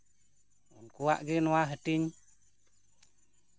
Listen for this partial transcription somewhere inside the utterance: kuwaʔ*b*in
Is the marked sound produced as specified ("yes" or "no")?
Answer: no